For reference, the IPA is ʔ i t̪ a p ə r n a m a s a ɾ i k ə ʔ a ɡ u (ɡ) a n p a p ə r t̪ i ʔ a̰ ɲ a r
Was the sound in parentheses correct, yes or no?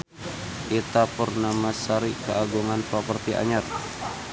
no